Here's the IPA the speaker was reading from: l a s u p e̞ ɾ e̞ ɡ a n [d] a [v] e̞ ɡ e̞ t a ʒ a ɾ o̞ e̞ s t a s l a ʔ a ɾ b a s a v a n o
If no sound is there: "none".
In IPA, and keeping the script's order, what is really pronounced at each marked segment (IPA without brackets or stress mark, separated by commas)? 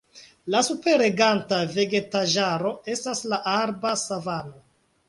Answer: t, v